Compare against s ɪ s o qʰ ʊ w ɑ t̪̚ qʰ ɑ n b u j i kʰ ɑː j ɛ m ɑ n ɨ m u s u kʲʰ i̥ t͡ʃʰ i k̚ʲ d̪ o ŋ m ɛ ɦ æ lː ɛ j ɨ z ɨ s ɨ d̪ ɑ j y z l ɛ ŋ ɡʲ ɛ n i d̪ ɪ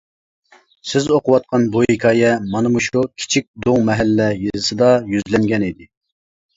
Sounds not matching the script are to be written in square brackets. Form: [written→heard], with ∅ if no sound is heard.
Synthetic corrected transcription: s ɪ [s→z] o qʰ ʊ w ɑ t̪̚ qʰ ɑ n b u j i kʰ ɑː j ɛ m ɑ n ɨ m u [s→ʃ] u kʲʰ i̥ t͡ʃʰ i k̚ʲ d̪ o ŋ m ɛ ɦ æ lː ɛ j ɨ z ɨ s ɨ d̪ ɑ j y z l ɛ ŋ ɡʲ ɛ n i d̪ ɪ